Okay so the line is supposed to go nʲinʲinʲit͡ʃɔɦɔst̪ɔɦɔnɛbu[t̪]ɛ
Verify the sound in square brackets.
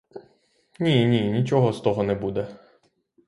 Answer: incorrect: d̪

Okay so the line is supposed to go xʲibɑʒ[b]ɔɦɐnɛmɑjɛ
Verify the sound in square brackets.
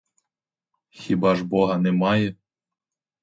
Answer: correct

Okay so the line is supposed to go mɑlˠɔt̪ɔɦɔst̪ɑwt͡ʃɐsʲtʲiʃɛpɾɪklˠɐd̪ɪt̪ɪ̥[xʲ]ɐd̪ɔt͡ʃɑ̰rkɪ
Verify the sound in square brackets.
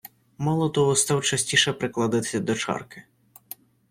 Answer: incorrect: sʲ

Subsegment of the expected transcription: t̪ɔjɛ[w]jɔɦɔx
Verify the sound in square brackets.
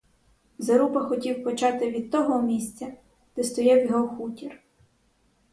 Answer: correct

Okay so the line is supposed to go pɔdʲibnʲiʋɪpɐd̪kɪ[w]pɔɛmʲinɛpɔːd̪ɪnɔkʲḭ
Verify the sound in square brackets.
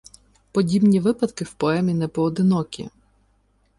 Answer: correct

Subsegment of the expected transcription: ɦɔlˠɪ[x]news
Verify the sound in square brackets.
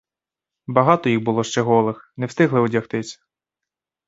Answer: correct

